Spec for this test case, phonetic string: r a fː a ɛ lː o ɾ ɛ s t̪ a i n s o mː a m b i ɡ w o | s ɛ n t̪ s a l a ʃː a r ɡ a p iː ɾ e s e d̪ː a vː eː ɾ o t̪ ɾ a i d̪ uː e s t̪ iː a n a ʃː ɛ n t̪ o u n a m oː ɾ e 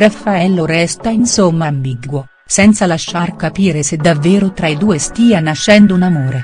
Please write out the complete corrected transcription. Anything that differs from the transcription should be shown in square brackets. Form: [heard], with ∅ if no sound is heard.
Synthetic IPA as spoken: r a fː a ɛ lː o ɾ ɛ s t̪ a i n s o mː a m b i ɡ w o | s ɛ n t̪ s a l a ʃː a r [k] a p iː ɾ e s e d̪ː a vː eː ɾ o t̪ ɾ a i d̪ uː e s t̪ iː a n a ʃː ɛ n [d̪] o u n a m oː ɾ e